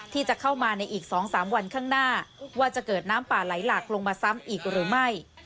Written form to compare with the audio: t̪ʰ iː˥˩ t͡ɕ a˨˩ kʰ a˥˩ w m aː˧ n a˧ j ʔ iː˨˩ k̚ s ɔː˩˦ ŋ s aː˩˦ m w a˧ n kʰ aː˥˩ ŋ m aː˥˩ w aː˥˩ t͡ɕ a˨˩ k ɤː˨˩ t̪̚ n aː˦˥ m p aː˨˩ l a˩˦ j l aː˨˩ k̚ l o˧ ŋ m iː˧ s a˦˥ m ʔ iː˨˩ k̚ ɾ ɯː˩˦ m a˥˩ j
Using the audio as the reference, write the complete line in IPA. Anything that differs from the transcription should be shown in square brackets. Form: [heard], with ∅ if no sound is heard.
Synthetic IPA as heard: t̪ʰ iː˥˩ t͡ɕ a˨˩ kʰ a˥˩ w m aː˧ n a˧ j ʔ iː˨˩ k̚ s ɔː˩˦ ŋ s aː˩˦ m w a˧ n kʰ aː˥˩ ŋ [n] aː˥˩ w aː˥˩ t͡ɕ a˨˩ k ɤː˨˩ t̪̚ n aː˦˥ m p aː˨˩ l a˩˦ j l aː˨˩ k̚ l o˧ ŋ m [aː˧] s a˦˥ m ʔ iː˨˩ k̚ ɾ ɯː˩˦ m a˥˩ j